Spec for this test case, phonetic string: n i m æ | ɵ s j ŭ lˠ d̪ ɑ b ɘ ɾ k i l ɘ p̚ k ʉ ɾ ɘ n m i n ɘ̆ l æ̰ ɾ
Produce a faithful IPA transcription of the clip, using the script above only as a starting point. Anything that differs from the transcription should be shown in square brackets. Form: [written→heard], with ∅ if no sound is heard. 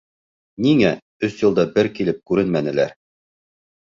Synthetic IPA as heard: n i [m→ŋ] æ | ɵ s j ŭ lˠ d̪ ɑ b ɘ ɾ k i l ɘ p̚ k ʉ ɾ ɘ n m [i→æ] n ɘ̆ l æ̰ ɾ